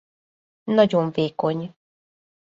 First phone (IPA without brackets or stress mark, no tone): n